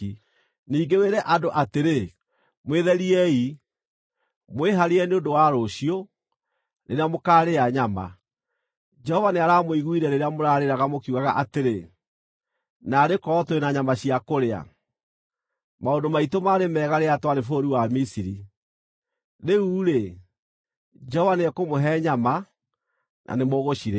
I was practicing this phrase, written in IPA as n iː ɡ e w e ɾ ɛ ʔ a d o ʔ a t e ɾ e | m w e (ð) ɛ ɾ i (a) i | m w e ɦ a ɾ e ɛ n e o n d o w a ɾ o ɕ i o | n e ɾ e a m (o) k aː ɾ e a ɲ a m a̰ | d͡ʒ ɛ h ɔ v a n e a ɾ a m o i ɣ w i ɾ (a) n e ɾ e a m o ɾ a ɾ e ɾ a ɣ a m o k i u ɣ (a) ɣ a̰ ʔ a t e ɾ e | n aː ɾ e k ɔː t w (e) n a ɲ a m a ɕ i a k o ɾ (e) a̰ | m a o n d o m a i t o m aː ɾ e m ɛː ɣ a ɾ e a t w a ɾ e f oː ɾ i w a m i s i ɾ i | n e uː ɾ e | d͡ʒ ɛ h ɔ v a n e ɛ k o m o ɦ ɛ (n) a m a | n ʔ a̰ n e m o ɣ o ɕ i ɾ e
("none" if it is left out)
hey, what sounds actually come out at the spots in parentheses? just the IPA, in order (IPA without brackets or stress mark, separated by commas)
ð, ɛ, o, ɛ, a, e, e, ɲ